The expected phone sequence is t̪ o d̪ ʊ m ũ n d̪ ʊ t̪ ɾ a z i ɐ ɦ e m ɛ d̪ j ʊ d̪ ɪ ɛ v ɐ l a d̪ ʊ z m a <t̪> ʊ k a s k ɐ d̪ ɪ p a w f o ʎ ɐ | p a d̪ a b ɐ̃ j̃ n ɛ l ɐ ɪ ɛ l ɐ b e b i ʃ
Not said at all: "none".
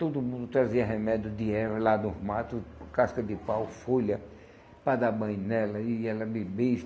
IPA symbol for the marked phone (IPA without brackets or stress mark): t̪